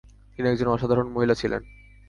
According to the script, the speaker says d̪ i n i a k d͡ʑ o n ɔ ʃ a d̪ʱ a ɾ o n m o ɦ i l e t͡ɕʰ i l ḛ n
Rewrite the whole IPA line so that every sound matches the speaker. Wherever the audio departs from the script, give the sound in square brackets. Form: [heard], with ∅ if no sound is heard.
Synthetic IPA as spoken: [t̪] i n i [ɛ] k d͡ʑ o n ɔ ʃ a d̪ʱ a ɾ o n m o ɦ i l [a] t͡ɕʰ i l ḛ n